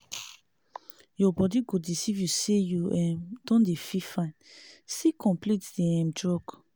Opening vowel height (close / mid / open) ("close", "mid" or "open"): mid